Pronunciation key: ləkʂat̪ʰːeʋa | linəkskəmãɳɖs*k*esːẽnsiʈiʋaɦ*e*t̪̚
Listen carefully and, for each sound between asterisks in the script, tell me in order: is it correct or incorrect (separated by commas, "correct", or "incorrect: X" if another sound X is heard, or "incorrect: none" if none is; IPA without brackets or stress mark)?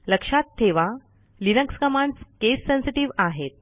correct, correct